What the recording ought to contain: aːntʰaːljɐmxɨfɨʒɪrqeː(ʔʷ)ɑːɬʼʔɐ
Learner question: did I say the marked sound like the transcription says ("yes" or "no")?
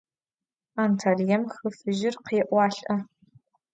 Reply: yes